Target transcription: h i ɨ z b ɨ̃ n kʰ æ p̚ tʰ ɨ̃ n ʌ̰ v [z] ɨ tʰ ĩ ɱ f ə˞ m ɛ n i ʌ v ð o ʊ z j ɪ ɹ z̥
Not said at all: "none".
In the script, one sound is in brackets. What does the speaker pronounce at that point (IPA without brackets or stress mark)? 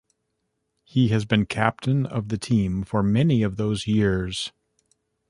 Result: ð